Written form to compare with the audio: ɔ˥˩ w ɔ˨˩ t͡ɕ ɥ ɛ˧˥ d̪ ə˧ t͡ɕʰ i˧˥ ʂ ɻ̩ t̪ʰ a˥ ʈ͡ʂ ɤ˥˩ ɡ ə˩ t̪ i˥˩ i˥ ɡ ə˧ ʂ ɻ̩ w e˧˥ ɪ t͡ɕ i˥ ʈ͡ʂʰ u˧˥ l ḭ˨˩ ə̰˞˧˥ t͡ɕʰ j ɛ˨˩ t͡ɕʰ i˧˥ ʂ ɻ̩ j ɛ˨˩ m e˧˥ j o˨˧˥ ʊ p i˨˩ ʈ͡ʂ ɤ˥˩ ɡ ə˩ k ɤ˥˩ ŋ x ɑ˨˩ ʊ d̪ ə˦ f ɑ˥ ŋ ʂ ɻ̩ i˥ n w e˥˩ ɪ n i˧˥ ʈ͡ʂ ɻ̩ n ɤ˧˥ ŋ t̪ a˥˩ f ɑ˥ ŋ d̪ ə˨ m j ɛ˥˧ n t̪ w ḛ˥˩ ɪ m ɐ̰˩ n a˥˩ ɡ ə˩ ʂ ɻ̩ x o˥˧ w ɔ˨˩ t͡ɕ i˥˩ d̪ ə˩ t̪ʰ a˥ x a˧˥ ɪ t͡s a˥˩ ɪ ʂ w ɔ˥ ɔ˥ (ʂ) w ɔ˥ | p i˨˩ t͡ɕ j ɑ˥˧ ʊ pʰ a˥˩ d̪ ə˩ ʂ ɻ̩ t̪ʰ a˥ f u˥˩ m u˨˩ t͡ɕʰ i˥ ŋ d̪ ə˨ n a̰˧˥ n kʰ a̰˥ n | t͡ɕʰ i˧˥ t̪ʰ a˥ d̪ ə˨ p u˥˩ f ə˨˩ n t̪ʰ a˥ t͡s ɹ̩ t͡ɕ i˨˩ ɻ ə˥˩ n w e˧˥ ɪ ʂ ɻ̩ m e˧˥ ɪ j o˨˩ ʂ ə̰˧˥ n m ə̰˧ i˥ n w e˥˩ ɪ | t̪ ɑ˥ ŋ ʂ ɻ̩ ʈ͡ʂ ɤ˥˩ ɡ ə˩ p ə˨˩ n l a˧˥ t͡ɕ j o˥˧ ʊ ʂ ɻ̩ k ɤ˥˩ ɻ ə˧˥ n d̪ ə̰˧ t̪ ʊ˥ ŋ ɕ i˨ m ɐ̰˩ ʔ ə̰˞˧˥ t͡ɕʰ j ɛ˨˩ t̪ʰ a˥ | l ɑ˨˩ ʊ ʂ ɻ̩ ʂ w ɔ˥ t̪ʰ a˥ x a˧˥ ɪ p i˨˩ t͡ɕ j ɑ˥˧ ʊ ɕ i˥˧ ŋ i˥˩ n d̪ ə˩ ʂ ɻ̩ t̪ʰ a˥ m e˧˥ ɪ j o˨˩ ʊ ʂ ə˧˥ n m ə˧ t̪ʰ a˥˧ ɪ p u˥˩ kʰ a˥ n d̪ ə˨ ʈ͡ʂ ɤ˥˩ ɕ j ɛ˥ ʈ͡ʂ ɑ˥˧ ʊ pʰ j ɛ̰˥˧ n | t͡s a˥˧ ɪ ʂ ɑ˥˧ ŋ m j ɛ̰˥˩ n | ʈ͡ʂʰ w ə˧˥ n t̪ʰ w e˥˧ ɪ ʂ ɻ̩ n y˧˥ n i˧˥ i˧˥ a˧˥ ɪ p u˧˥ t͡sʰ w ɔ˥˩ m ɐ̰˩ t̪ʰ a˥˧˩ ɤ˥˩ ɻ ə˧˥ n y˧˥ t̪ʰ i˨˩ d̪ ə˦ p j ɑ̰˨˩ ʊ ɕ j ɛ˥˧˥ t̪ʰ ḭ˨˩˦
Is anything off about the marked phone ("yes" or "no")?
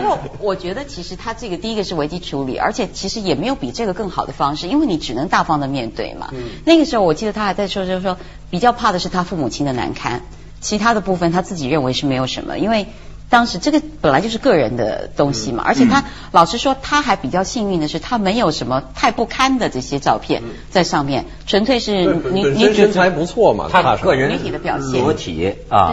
no